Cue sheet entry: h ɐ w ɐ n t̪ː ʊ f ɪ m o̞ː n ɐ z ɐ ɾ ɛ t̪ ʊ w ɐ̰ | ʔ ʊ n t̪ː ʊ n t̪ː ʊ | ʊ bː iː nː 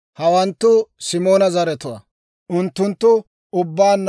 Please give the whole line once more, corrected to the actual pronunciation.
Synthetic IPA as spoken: h ɐ w ɐ n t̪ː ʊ s ɪ m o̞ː n ɐ z ɐ ɾ ɛ t̪ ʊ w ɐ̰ | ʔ ʊ n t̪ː ʊ n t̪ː ʊ | ʊ bː aː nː